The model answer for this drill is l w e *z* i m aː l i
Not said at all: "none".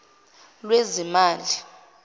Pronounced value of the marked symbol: z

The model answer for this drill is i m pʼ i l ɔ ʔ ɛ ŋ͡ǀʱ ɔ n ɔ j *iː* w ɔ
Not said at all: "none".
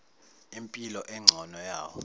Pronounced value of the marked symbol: aː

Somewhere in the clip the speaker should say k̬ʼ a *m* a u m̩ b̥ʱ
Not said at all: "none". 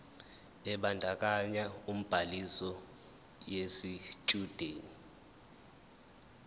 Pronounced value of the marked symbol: ɲ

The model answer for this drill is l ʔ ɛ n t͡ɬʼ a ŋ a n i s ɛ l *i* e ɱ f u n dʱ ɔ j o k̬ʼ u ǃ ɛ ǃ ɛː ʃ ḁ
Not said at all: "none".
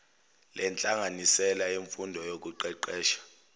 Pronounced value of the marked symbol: a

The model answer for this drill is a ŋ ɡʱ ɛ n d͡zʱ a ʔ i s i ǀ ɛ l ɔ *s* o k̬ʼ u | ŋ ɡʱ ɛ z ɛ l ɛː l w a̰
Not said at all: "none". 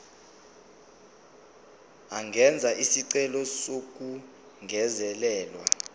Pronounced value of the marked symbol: s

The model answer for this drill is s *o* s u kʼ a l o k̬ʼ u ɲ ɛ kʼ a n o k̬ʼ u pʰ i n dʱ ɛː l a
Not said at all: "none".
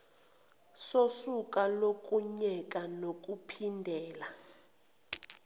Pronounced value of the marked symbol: o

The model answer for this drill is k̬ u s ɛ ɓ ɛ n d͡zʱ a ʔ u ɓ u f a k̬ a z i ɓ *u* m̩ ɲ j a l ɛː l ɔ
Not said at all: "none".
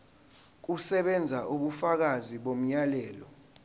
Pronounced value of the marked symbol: o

